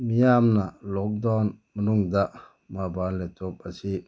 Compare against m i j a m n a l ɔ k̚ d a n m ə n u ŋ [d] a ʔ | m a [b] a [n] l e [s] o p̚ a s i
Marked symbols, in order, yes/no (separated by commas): yes, yes, yes, no